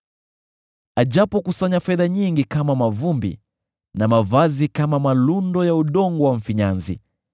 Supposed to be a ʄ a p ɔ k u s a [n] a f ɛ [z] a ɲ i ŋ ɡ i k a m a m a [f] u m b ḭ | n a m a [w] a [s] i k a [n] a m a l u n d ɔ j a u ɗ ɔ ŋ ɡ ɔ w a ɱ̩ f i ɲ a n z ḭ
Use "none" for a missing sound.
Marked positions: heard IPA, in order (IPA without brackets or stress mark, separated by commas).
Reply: ɲ, ð, v, v, z, m